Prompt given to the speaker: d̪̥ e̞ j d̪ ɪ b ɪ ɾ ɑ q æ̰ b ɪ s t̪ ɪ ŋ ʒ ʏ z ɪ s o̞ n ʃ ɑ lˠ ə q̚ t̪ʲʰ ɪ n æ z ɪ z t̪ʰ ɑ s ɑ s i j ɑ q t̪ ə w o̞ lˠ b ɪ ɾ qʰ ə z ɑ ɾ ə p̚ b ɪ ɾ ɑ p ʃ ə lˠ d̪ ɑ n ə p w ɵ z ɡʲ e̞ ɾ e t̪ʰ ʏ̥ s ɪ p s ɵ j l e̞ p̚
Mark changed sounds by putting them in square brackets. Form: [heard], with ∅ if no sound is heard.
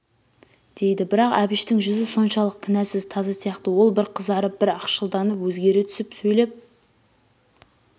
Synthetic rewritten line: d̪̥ e̞ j d̪ ɪ b ɪ ɾ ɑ q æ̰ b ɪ [ʃ] t̪ ɪ ŋ ʒ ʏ z ɪ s o̞ n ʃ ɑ lˠ ə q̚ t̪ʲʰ ɪ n æ [s] ɪ z t̪ʰ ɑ [z] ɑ s i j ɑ q t̪ ə w o̞ lˠ b ɪ ɾ qʰ ə z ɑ ɾ ə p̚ b ɪ ɾ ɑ [q] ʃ ə lˠ d̪ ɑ n ə p w ɵ z ɡʲ e̞ ɾ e t̪ʰ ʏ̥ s ɪ p s ɵ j l e̞ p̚